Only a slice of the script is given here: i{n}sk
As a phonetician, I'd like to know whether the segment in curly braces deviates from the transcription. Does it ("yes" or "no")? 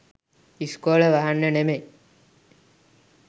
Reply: yes